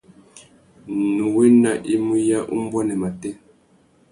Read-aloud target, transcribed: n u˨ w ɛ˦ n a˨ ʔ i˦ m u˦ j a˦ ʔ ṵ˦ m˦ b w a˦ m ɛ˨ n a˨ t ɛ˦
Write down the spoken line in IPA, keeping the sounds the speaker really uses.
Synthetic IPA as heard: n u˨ w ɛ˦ n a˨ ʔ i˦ m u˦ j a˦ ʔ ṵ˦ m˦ b w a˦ n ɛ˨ m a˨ t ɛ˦